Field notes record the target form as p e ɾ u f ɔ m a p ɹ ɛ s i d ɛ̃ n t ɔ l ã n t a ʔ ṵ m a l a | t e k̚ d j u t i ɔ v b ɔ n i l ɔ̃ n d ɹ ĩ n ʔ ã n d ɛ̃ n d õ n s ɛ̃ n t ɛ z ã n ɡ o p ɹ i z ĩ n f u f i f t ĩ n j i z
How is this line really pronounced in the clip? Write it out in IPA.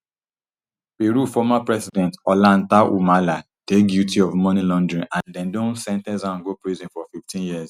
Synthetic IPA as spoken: p e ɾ u f ɔ m a p ɹ ɛ s i d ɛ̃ n t ɔ l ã n t a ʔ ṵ m a l a | t e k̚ d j u t i ɔ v m ɔ n i l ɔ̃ n d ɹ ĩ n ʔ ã n d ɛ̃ n d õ n s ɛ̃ n t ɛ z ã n ɡ o p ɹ i z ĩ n f ɔ f i f t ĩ n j i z